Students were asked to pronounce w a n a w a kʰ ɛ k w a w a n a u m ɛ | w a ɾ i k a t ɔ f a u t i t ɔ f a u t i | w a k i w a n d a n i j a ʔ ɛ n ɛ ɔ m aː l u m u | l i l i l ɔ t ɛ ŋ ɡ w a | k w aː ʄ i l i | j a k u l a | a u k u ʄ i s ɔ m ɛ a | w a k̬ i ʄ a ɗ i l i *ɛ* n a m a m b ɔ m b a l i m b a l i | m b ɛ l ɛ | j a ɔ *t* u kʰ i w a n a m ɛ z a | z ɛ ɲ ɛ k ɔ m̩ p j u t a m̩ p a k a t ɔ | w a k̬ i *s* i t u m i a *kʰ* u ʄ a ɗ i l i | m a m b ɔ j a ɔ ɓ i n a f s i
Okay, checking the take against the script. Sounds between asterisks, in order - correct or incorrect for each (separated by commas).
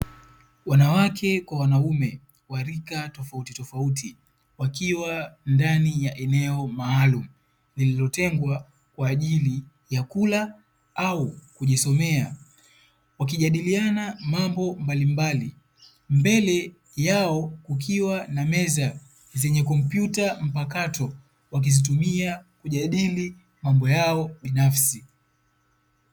incorrect, incorrect, incorrect, incorrect